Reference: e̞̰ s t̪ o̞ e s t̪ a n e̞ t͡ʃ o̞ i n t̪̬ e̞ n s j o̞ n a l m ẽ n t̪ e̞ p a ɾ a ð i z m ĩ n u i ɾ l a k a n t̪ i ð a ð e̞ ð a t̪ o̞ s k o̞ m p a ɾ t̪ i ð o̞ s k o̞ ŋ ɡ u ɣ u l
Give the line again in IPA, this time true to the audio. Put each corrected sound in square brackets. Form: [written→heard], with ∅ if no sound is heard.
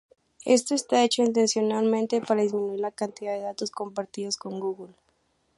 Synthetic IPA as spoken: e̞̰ s t̪ o̞ e s t̪ a [n→∅] e̞ t͡ʃ o̞ i n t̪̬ e̞ n s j o̞ n a l m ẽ n t̪ e̞ p a ɾ a ð i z m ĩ n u i ɾ l a k a n t̪ i ð a ð e̞ ð a t̪ o̞ s k o̞ m p a ɾ t̪ i ð o̞ s k o̞ ŋ ɡ u ɣ u l